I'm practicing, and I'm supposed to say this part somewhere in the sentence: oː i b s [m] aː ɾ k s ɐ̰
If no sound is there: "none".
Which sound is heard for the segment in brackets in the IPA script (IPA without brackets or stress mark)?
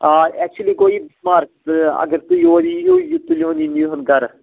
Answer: m